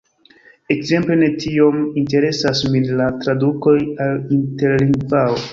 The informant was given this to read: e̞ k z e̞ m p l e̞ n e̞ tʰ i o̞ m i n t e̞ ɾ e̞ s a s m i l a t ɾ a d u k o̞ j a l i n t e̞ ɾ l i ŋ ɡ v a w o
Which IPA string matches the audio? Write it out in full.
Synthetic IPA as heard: e̞ k z e̞ m p l e̞ n e̞ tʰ i o̞ m i n t e̞ ɾ e̞ s a s m i l a t ɾ a d u k o̞ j a l i n t e̞ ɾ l i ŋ ɡ v a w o